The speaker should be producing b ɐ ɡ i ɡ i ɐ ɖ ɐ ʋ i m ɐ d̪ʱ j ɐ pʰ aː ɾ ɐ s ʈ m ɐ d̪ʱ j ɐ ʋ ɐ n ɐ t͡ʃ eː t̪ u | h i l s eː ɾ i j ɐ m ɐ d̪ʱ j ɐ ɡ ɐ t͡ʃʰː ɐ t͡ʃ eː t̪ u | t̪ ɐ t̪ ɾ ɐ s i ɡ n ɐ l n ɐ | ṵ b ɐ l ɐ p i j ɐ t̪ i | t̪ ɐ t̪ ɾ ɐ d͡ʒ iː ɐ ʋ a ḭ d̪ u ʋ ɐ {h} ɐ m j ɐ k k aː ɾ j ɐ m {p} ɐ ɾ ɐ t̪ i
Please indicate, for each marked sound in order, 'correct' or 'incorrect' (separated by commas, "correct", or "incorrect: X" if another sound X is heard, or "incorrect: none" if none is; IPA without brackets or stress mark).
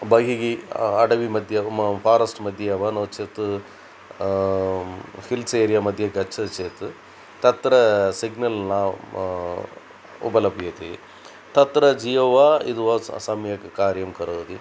incorrect: s, incorrect: k